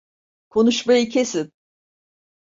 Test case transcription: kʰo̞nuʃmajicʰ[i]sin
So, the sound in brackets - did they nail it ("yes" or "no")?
no